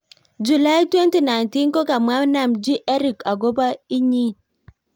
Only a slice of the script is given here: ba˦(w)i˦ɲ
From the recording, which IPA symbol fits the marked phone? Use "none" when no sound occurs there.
none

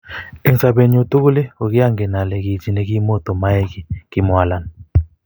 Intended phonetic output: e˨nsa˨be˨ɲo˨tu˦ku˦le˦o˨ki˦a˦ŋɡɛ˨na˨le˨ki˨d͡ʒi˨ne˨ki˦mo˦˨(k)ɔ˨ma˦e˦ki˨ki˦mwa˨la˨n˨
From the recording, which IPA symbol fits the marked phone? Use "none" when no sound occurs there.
t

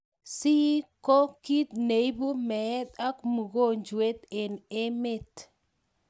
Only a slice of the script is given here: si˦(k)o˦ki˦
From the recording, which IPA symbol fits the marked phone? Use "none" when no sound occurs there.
k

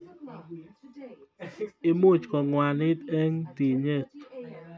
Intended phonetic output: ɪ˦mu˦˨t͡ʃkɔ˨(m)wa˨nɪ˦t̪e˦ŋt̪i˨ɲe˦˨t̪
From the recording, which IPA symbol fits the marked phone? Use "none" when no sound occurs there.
ŋ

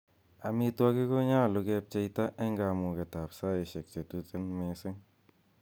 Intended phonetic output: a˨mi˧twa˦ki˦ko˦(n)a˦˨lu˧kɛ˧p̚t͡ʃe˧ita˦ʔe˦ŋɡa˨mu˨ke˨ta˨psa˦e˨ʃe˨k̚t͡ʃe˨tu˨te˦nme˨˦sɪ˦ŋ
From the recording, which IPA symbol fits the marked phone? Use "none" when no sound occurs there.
ɲ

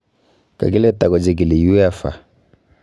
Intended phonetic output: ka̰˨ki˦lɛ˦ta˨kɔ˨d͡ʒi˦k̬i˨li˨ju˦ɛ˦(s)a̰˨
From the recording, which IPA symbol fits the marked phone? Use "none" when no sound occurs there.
f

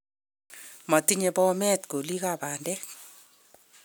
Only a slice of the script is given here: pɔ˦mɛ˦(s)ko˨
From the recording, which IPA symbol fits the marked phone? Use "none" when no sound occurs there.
t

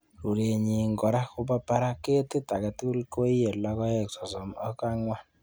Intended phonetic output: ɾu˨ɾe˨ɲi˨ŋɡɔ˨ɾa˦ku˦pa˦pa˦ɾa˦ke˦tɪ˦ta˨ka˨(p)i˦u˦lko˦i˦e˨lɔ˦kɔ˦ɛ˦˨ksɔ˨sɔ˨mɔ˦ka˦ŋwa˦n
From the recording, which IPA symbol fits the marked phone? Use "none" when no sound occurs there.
t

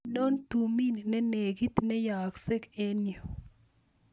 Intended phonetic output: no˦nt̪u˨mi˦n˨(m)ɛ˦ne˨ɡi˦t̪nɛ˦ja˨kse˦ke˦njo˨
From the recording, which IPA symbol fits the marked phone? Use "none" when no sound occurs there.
n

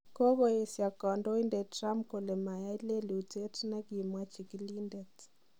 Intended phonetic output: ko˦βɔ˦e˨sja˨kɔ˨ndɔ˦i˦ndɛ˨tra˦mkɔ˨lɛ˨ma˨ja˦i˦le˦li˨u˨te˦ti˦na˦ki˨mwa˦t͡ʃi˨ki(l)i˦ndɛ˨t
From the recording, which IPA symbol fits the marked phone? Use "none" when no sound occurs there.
l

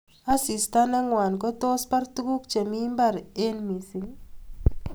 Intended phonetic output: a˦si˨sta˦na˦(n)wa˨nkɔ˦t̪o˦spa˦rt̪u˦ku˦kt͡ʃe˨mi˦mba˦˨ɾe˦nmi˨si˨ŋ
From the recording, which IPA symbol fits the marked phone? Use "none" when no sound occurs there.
ŋ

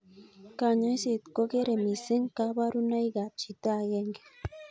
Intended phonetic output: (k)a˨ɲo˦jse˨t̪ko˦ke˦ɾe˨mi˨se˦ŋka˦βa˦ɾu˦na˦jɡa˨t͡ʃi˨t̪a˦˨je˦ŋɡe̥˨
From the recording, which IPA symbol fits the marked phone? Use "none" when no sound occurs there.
k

